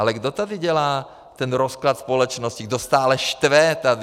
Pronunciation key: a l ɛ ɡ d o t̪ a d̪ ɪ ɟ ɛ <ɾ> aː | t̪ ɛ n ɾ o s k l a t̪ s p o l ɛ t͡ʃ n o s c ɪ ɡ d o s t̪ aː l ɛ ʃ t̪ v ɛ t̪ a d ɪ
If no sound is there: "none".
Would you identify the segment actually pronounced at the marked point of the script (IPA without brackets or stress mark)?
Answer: l